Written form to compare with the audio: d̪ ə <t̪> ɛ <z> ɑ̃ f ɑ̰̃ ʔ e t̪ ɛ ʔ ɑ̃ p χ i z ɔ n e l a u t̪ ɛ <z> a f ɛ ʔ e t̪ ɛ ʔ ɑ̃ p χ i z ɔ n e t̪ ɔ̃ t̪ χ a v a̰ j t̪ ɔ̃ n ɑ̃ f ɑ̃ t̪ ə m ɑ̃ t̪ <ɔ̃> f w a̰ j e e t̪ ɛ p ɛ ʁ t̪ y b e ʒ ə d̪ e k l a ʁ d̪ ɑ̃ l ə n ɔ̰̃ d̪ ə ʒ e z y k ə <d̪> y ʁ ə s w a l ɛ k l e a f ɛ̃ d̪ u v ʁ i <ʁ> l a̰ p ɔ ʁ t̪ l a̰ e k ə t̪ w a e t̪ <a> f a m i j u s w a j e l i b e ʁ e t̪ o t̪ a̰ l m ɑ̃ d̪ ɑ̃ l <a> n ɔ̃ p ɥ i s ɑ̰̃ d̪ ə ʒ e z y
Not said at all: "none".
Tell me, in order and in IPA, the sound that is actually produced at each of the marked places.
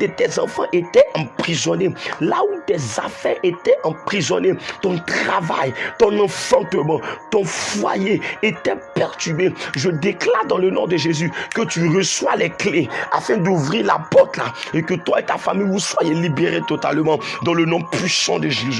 t̪, z, z, ɔ̃, t̪, ʁ, a, ə

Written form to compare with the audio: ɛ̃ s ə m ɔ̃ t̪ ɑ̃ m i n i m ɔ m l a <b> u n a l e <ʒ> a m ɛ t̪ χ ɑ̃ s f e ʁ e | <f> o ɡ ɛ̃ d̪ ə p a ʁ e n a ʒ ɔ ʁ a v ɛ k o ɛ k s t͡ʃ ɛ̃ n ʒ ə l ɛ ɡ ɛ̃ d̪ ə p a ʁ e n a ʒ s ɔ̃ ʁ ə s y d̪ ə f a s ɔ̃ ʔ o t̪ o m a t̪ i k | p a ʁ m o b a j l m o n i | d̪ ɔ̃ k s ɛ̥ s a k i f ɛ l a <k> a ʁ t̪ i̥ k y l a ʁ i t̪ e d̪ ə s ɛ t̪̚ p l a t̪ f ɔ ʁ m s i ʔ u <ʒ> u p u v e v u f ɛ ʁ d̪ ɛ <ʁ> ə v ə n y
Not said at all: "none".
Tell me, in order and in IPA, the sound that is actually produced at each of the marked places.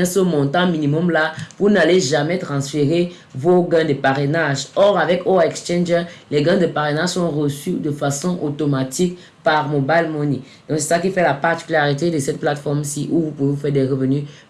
v, ʒ, v, p, v, ʁ

